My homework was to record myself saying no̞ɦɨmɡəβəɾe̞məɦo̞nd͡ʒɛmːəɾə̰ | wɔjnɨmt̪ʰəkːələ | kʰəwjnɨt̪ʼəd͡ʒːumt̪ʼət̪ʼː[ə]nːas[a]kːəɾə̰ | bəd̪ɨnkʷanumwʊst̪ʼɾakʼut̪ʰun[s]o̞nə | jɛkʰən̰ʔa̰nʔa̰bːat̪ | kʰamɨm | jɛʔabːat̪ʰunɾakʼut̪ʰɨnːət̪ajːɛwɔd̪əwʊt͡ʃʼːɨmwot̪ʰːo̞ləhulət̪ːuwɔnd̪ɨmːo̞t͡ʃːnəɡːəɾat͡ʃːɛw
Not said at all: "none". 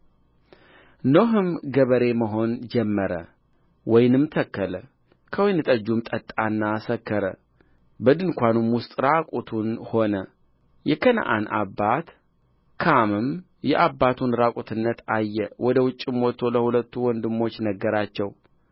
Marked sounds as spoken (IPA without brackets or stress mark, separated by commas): a, ə, h